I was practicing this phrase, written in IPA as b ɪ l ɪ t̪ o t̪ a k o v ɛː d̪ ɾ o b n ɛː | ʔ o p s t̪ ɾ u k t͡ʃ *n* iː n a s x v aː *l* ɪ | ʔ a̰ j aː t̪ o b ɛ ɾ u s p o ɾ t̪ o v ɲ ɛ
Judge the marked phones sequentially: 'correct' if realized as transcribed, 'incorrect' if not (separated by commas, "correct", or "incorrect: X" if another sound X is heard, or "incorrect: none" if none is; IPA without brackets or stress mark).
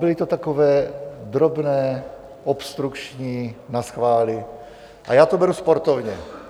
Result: incorrect: ɲ, correct